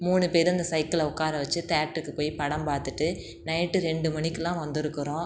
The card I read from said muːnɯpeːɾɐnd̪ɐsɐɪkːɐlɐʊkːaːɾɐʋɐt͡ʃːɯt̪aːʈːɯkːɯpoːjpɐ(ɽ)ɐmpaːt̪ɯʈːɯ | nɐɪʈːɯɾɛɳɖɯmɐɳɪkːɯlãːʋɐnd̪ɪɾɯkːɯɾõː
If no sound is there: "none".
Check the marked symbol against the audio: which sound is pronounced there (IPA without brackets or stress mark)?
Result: ɽ